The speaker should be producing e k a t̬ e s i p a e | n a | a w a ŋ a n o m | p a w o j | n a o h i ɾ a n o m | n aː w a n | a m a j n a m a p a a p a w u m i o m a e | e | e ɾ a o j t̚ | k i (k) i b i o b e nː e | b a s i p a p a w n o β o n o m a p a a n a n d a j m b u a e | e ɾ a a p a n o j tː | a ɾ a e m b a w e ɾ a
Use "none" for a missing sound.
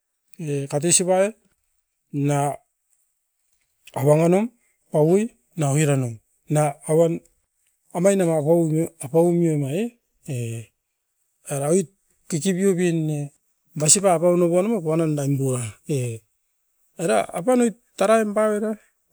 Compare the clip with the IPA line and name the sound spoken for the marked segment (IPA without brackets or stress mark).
k